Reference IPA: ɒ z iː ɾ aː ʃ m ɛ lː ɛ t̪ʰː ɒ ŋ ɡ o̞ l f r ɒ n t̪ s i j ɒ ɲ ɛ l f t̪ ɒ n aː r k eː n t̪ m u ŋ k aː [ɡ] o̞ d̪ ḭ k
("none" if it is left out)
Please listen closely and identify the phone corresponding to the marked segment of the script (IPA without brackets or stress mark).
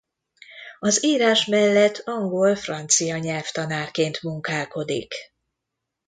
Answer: k